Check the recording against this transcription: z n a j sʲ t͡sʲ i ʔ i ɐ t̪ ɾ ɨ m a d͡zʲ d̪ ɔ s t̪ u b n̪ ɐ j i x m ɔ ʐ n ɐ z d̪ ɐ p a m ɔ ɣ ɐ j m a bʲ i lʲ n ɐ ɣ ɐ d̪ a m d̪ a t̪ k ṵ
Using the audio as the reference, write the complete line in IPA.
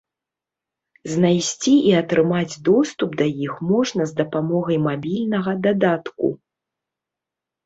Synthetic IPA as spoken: z n a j sʲ t͡sʲ i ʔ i ɐ t̪ ɾ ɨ m a d͡zʲ d̪ ɔ s t̪ u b d̪ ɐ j i x m ɔ ʐ n ɐ z d̪ ɐ p a m ɔ ɣ ɐ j m a bʲ i lʲ n ɐ ɣ ɐ d̪ a d̪ a t̪ k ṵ